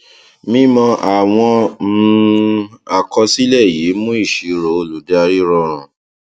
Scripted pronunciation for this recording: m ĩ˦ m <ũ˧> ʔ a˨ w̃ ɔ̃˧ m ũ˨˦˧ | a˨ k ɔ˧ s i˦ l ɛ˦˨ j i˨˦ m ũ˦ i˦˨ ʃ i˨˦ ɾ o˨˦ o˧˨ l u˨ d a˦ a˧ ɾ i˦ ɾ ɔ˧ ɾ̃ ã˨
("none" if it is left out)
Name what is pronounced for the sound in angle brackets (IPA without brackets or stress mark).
ɔ̃˧